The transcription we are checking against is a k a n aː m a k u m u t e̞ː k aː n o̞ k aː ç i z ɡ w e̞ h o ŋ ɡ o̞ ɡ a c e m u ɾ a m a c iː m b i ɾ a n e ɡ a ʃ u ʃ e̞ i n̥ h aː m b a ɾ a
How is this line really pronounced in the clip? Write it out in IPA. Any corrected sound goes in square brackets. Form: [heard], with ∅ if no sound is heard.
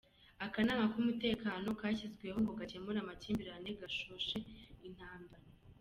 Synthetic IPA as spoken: a k a n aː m a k u m u t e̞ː k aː n o̞ k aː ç i z ɡ w e̞ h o ŋ ɡ o̞ ɡ a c e m u ɾ a m a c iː m b i ɾ a n e ɡ a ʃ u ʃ e̞ i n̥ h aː m b a ɾ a

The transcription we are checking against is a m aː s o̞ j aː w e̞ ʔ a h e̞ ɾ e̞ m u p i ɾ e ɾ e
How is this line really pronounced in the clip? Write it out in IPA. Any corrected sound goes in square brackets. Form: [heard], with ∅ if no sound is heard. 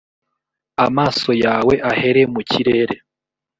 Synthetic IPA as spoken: a m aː s o̞ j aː w e̞ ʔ a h e̞ ɾ e̞ m u [c] i ɾ e ɾ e

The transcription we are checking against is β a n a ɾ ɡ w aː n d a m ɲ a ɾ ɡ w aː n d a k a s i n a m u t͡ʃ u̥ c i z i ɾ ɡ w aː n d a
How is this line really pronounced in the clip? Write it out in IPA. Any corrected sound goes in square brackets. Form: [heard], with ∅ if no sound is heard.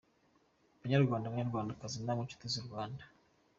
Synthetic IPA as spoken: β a [ɲ] a ɾ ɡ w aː n d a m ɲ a ɾ ɡ w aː n d a k a [z] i n a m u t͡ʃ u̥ [t] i z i ɾ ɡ w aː n d a

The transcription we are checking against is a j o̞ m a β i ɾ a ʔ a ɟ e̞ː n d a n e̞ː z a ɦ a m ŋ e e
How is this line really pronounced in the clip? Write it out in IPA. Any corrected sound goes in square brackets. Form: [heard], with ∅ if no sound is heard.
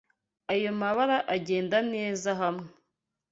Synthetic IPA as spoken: a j o̞ m a β [a] ɾ a ʔ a ɟ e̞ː n d a n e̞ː z a ɦ a m ŋ e e

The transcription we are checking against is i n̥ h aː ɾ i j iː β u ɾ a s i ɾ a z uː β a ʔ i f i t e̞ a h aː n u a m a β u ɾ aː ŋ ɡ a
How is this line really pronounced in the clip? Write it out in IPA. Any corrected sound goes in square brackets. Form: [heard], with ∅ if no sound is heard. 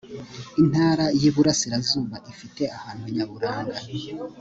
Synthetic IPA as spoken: i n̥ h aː ɾ [a] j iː β u ɾ a s i ɾ a z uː β a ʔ i f i t e̞ a h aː n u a [ɲ] a β u ɾ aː ŋ ɡ a

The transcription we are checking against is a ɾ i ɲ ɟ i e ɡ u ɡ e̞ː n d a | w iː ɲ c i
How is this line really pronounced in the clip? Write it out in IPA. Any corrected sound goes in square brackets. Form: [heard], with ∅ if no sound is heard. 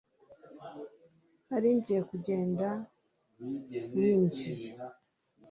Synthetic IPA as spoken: a ɾ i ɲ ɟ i e [k] u [ɟ] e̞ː n d a | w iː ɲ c i

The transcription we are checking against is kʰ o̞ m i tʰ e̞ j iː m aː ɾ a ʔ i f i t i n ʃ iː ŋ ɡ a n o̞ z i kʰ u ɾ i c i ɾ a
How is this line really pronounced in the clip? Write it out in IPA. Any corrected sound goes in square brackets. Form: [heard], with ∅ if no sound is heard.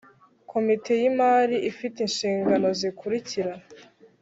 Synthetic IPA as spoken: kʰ o̞ m i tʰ e̞ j [i] m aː ɾ [i] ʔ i f i t i n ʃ iː ŋ ɡ a n o̞ z i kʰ u ɾ i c i ɾ a

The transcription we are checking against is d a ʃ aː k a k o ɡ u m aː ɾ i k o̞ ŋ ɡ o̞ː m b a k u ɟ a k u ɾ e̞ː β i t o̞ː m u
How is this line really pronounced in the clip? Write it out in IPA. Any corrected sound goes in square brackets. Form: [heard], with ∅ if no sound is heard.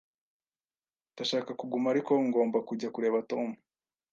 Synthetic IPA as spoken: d a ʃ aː k a k [u] ɡ u m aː ɾ i k o̞ ŋ ɡ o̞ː m b a k u ɟ a k u ɾ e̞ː β [a] t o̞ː m u

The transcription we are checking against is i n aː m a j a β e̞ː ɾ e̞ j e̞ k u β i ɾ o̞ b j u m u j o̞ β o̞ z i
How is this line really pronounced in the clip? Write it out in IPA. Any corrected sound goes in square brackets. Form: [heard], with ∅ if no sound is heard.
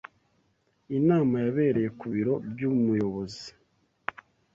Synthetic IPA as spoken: i n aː m a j a β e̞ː ɾ e̞ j e̞ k u β i ɾ o̞ b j u m u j o̞ β o̞ z i

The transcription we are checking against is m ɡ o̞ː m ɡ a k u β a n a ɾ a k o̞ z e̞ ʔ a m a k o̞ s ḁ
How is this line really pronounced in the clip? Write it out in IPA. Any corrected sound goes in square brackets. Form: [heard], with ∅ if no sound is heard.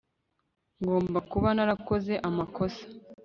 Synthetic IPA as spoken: [ŋ] ɡ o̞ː m [b] a k u β a n a ɾ a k o̞ z e̞ ʔ a m a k o̞ s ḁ

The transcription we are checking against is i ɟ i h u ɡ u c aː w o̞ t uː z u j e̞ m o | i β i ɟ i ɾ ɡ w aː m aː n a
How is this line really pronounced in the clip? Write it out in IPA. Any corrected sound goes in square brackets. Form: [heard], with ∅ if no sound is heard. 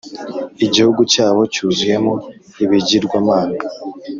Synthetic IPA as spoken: i ɟ i h u ɡ u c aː [β] o̞ [c] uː z u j e̞ m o | i β i ɟ i ɾ ɡ w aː m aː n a

